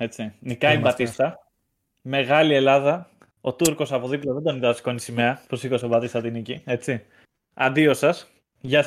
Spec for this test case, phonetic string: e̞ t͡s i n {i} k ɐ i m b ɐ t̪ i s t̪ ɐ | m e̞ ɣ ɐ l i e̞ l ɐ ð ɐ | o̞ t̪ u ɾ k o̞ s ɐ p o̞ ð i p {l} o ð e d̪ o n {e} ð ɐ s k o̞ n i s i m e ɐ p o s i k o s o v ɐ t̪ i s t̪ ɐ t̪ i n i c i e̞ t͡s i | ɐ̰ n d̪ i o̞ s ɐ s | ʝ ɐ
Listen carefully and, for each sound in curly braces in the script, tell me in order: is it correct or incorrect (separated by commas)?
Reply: correct, correct, incorrect